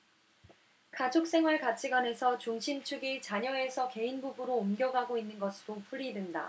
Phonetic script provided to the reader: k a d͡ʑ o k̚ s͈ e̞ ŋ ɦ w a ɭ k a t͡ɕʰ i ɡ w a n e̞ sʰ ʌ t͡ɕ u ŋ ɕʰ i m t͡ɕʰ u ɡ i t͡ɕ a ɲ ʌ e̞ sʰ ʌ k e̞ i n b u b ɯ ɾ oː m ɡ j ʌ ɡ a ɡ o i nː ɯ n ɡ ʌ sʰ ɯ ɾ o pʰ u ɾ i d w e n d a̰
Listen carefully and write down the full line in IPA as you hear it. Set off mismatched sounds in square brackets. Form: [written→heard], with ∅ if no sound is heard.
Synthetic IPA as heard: k a d͡ʑ o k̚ s͈ e̞ ŋ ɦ w a ɭ k a t͡ɕʰ i ɡ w a n e̞ sʰ ʌ t͡ɕ u ŋ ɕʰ i m t͡ɕʰ u ɡ i t͡ɕ a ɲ ʌ e̞ sʰ ʌ k e̞ i n b u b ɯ ɾ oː m ɡ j ʌ ɡ a ɡ o i nː ɯ n ɡ ʌ sʰ ɯ ɾ o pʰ u ɾ i d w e n d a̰